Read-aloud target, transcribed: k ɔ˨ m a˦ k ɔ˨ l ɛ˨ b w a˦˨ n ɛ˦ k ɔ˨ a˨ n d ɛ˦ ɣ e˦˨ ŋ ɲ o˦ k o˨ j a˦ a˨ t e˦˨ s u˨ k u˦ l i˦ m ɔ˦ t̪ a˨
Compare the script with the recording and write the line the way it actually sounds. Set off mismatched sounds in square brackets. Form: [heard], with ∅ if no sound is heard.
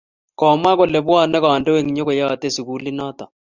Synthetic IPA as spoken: k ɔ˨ m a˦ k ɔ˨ l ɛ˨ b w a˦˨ n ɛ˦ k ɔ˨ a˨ n d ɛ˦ [w] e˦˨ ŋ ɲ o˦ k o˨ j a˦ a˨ t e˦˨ s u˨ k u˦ l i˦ [n] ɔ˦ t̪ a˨

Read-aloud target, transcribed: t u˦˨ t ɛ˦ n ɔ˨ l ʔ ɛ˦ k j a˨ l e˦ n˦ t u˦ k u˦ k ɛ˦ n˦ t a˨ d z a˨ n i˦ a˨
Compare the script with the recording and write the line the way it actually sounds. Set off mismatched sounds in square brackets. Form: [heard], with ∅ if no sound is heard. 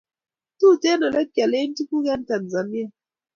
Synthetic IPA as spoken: t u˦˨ t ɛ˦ n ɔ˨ l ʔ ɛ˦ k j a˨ l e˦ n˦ t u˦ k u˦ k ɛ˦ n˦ t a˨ [n] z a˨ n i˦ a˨

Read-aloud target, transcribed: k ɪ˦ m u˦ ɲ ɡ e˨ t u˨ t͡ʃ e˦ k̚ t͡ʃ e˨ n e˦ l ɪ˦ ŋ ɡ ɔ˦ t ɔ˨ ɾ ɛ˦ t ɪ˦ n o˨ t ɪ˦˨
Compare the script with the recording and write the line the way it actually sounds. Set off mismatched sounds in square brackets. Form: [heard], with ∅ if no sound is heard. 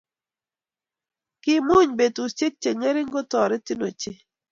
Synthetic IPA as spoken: k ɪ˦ m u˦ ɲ [b] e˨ t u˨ t͡ʃ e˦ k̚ t͡ʃ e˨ [ŋ] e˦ [ɾ] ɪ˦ ŋ ɡ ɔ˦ t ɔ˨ ɾ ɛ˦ t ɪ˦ n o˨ [t͡ʃ] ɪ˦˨

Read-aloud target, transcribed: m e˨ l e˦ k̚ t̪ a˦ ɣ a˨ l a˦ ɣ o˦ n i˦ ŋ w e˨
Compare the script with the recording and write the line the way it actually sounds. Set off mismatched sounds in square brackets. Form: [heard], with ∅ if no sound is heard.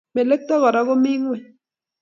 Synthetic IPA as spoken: m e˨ l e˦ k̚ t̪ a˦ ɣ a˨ [ɾ] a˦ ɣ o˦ [m] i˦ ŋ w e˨

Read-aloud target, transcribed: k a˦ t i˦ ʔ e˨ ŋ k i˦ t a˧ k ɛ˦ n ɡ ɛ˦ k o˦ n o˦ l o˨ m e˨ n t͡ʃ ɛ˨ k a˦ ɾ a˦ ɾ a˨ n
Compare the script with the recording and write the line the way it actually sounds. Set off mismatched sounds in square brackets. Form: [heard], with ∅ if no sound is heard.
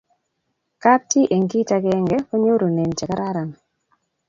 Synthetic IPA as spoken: k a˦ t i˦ ʔ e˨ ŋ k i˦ t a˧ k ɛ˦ [ŋ] ɡ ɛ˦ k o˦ [ɲ] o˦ [ɾ] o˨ [n] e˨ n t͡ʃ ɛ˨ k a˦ ɾ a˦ ɾ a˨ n

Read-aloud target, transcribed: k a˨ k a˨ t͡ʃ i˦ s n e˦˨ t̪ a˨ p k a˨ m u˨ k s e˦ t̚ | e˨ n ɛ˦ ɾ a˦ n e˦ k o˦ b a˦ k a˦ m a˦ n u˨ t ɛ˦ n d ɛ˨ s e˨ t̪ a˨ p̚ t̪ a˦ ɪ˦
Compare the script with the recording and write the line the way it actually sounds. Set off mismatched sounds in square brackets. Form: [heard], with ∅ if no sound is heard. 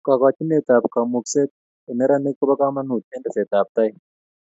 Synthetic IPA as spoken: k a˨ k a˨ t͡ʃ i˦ [∅] n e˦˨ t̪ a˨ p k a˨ m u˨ k s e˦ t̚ | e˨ n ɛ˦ ɾ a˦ n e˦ k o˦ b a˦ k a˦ m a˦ n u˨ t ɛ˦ n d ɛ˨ s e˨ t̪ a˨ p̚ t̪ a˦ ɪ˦

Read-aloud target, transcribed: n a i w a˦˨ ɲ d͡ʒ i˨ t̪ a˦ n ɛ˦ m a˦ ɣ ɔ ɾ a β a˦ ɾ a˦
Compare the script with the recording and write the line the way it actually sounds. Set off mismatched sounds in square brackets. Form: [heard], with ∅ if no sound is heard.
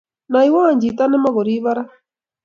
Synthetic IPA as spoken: n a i w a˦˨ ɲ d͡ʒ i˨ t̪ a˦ n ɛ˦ m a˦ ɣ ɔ ɾ [i] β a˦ ɾ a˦

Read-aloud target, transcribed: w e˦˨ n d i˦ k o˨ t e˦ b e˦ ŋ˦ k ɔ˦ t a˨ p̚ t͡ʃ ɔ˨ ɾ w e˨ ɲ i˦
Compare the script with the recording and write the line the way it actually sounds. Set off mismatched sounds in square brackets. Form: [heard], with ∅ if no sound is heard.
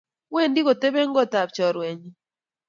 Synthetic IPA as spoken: w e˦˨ n d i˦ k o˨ t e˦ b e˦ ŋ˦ [ɡ] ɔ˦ t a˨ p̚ t͡ʃ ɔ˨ ɾ w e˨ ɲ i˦

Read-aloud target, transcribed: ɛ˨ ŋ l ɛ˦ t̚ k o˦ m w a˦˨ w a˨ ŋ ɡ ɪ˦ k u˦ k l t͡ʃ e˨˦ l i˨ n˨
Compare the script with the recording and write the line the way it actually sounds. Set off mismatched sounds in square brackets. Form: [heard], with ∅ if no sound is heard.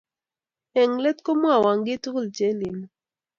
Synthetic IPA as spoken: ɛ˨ ŋ l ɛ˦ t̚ k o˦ m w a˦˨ w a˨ ŋ ɡ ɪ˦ [t] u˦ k l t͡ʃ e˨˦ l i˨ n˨

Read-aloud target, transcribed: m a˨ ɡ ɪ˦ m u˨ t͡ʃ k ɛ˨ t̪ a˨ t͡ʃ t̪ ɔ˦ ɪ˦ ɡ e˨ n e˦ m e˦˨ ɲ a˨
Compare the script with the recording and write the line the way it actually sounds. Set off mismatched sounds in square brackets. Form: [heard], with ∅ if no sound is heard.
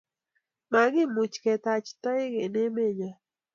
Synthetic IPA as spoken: m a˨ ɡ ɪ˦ m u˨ t͡ʃ k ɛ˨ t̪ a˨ t͡ʃ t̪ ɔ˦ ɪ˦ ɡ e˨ n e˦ m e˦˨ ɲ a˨

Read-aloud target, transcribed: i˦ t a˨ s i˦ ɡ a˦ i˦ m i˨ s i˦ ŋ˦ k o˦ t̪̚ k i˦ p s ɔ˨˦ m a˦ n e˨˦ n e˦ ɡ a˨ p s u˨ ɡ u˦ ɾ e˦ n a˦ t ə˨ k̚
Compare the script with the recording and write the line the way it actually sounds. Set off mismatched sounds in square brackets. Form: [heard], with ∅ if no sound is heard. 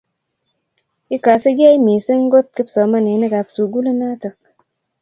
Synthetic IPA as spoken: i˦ [k] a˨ s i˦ ɡ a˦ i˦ m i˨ s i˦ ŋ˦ [ɡ] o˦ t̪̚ k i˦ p s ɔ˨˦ m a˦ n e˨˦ n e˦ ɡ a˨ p s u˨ ɡ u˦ [l] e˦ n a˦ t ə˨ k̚

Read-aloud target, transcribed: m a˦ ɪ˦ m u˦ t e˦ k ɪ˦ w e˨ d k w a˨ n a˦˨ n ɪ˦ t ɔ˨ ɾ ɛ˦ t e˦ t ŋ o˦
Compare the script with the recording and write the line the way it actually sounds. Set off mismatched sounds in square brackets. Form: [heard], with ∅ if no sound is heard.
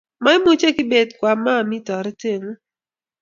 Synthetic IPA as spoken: m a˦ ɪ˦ m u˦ [t͡ʃ] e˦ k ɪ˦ [b] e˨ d k w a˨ [m] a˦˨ [m] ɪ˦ t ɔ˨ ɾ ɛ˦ t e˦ [∅] ŋ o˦

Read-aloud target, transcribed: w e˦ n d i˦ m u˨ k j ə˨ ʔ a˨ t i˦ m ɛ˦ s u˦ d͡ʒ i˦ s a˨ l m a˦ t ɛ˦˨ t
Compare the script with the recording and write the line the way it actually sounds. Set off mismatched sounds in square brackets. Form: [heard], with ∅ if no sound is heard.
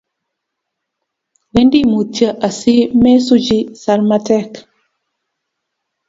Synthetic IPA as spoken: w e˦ n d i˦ m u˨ [t] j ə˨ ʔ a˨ [s] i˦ m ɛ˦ s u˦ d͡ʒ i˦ s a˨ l m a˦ t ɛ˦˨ [k]

